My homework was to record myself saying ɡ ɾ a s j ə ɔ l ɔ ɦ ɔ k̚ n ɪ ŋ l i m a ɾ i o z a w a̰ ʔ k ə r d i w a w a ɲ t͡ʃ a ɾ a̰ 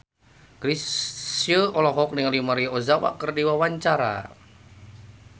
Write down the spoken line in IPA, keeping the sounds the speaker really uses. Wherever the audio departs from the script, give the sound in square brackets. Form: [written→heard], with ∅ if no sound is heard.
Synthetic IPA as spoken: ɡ ɾ [a→i] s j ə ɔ l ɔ ɦ ɔ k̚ n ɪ ŋ l i m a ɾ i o z a w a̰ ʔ k ə r d i w a w a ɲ t͡ʃ a ɾ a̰